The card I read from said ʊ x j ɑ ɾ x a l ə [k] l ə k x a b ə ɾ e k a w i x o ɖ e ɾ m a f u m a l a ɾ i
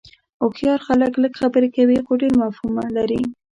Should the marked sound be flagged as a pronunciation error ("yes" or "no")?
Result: no